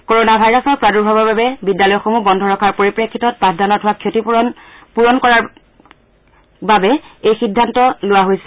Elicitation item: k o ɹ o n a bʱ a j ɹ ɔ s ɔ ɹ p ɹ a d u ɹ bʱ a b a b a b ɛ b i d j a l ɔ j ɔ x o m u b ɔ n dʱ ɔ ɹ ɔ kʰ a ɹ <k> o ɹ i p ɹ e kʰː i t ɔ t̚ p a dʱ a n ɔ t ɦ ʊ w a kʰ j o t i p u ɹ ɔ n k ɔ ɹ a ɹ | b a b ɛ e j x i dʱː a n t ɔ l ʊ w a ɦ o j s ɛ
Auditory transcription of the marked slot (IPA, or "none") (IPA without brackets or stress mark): p